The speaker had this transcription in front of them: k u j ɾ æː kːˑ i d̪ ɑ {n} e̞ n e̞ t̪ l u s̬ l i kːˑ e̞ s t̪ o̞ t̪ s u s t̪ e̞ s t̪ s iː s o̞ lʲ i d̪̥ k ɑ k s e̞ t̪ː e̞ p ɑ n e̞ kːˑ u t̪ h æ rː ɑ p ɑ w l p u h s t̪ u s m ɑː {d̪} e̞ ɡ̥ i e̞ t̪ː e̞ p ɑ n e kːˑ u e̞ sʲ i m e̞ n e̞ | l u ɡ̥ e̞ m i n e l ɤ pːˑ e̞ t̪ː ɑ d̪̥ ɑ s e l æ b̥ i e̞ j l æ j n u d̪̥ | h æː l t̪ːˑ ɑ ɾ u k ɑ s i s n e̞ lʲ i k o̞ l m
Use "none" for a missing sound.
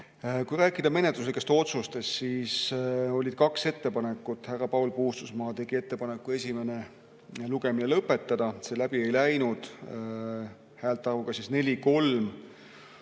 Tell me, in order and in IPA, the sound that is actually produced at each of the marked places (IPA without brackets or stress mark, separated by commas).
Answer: m, t̪